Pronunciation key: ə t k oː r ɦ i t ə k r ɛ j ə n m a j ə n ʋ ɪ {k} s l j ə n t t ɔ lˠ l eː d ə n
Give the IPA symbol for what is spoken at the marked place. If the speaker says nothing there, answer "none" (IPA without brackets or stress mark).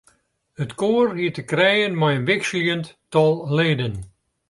k